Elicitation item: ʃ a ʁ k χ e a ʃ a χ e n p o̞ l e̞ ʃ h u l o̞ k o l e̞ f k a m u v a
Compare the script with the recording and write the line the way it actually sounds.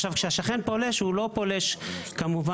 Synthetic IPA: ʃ a v k ʃ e a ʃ a χ e n p o̞ l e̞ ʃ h u l o̞ p o l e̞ ʃ k a m u v a